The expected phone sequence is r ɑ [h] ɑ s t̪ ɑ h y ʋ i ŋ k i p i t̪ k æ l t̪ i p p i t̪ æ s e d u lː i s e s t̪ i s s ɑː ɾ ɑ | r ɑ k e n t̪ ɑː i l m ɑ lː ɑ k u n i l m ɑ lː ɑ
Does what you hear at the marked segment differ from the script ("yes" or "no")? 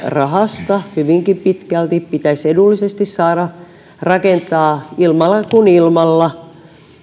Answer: no